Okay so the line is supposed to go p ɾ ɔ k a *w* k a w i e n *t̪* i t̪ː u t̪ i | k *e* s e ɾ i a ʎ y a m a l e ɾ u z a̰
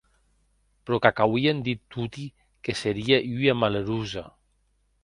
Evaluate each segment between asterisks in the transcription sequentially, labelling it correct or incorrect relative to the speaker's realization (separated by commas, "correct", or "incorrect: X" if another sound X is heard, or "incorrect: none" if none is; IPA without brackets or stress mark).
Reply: incorrect: none, incorrect: d̪, correct